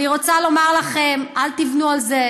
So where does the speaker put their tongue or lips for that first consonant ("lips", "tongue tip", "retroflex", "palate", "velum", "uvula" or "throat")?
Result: uvula